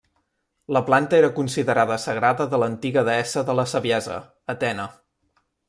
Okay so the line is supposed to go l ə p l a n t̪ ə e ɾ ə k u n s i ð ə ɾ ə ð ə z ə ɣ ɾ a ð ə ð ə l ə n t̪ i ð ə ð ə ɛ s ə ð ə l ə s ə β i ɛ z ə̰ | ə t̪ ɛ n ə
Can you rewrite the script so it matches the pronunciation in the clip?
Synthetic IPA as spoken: l ə p l a n t̪ ə e ɾ ə k u n s i ð ə ɾ a ð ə s ə ɣ ɾ a ð ə ð ə l ə n t̪ i ɣ ə ð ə ɛ s ə ð ə l ə s ə β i ɛ z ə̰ | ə t̪ ɛ n ə

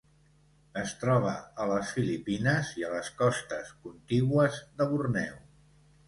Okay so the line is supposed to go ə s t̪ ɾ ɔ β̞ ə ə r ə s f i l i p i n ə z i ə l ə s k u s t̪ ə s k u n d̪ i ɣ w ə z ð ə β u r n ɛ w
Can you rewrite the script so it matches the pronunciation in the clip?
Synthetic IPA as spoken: ə s t̪ ɾ ɔ β̞ ə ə l ə s f i l i p i n ə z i ə l ə s k ɔ s t̪ ə s k u n t̪ i ɣ w ə z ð ə β u r n ɛ w

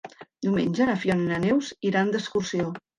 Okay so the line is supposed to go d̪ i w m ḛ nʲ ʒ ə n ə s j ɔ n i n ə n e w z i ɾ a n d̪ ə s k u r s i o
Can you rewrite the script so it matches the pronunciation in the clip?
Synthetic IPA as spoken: d̪ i w m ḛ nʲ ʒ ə n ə f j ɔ n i n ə n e w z i ɾ a n d̪ ə s k u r s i o

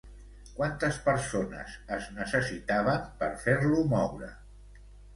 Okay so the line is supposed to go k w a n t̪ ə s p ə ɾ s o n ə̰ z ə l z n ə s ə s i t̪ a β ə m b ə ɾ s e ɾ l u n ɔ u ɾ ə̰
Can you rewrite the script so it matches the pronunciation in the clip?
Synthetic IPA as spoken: k w a n t̪ ə s p ə ɾ s o n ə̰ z ə z n ə s ə s i t̪ a β ə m p ə ɾ f e ɾ l u m ɔ w ɾ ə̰

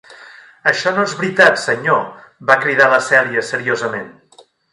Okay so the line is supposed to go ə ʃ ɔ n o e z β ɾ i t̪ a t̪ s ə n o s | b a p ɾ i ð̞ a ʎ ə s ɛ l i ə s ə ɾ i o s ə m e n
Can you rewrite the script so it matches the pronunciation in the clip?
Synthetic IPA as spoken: ə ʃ ɔ n o e z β ɾ i t̪ a t̪ s ə ɲ o | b a k ɾ i ð̞ a l ə s ɛ l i ə s ə ɾ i o z ə m e n

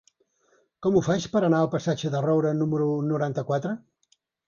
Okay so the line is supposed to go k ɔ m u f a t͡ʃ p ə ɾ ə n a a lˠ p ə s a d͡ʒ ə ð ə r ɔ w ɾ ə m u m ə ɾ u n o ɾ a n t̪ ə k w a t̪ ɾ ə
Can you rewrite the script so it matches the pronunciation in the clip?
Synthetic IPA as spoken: k ɔ m u f a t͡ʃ p ə ɾ ə n a ə lˠ p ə s a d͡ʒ ə ð ə r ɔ w ɾ ə n u m ə ɾ u n u ɾ a n t̪ ə k w a t̪ ɾ ə

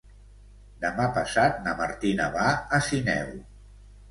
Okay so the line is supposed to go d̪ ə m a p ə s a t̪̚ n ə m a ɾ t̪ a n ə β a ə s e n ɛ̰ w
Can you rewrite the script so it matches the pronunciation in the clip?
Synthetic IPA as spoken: d̪ ə m a p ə s a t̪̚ n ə m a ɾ t̪ i n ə β a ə s i n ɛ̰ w

